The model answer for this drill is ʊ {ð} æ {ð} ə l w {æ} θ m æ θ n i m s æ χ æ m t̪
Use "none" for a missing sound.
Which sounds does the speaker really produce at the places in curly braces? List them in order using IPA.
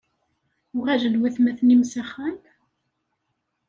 ʁ, ʒ, æ

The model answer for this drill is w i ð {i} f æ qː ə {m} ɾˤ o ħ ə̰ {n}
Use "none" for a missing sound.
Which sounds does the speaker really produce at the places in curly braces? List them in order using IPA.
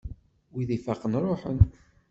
i, n, n

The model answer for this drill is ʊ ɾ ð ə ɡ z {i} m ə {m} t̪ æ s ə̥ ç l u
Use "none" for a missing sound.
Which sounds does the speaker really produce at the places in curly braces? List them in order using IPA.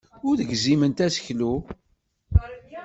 i, n

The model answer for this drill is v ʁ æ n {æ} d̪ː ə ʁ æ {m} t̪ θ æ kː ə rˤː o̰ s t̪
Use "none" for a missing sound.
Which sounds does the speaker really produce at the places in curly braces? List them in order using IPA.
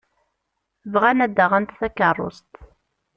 æ, n

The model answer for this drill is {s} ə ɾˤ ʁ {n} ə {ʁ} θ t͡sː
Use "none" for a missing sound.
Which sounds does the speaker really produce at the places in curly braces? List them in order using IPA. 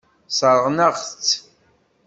s, n, ʁ

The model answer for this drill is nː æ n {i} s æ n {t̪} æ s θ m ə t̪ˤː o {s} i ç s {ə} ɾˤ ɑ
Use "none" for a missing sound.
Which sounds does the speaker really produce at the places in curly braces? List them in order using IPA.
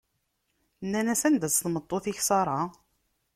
æ, d̪, θ, ɑ

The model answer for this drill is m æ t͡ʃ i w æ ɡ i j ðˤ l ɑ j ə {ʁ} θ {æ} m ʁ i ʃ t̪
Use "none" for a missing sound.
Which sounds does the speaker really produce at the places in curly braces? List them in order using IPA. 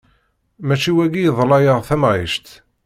ʁ, æ

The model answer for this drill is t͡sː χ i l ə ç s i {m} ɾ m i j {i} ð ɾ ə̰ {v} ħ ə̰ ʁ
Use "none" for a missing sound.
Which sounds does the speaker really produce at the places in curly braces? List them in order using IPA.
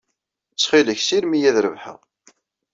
none, æ, v

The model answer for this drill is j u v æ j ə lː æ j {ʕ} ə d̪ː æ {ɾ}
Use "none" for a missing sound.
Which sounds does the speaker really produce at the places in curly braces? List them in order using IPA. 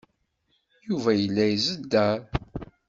z, ɾ

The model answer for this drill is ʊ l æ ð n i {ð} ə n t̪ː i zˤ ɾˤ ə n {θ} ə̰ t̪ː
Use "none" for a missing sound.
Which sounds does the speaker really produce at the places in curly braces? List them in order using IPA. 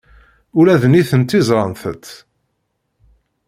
θ, θ

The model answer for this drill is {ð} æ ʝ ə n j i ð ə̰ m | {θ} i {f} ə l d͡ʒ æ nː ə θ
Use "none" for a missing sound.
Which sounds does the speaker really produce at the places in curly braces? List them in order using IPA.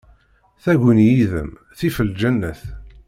θ, θ, f

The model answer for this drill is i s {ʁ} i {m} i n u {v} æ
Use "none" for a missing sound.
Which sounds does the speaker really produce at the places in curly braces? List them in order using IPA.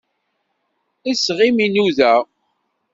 ʁ, m, ð

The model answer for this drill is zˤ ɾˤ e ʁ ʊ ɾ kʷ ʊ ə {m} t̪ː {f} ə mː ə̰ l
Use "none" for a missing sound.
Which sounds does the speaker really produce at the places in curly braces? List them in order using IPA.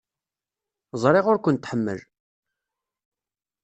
n, ħ

